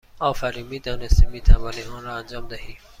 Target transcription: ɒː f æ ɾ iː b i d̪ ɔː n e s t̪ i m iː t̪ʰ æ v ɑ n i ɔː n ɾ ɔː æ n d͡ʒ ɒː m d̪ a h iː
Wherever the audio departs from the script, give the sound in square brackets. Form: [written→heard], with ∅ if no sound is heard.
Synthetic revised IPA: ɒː f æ ɾ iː [b→m] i d̪ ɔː n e s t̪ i m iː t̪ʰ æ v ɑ n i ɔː n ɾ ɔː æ n d͡ʒ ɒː m d̪ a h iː